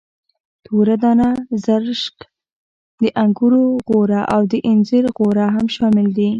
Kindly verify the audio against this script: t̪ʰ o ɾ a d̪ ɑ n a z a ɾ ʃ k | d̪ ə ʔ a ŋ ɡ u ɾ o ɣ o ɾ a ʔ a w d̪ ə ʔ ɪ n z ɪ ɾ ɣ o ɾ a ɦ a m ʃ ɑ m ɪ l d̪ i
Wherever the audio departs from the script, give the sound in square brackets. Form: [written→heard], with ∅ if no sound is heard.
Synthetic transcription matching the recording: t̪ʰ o ɾ a d̪ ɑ n a z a ɾ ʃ k | d̪ ə ʔ a ŋ ɡ u ɾ o ɣ o ɾ a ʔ a w d̪ ə ʔ ɪ n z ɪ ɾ ɣ o ɾ a ɦ a m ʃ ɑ m ɪ l d̪ i